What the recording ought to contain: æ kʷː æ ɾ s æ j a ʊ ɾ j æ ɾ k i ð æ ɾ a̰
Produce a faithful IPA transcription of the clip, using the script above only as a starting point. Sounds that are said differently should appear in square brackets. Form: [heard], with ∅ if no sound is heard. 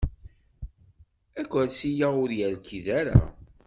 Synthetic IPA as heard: æ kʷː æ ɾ s [i] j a ʊ ɾ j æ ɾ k i ð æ ɾ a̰